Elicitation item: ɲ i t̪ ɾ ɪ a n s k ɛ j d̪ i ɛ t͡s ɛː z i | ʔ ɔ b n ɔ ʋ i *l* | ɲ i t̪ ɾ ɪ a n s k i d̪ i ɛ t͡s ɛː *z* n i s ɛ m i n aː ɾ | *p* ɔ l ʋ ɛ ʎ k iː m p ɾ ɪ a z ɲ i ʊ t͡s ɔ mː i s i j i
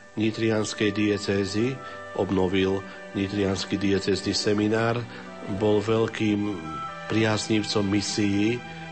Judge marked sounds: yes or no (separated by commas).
yes, yes, no